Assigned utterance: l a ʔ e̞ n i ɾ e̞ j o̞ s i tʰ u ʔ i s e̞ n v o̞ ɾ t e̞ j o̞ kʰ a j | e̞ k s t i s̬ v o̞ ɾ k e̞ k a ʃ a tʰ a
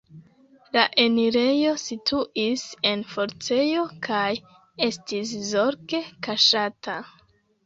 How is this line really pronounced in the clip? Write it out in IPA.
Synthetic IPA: l a ʔ e̞ n i ɾ e̞ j o̞ s i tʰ u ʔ i s e̞ n f o̞ ɾ t͡s e̞ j o̞ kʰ a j | e̞ s t i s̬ z o̞ ɾ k e̞ k a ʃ a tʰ a